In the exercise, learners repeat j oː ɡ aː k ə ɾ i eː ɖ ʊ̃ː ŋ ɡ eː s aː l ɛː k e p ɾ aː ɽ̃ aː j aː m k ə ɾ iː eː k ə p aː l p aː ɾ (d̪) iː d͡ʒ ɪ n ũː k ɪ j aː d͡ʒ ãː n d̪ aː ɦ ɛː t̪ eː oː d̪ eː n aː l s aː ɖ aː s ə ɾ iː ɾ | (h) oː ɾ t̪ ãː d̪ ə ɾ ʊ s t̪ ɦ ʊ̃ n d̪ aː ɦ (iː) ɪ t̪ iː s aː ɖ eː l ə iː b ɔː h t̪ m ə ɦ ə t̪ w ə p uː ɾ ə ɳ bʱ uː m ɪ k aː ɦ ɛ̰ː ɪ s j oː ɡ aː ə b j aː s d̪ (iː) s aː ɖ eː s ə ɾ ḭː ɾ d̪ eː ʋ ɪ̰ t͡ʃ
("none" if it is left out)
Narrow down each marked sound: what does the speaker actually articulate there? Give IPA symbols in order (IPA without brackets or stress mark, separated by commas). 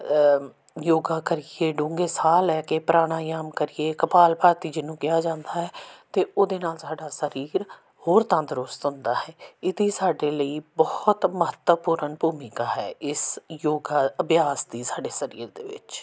t̪, h, ɛː, iː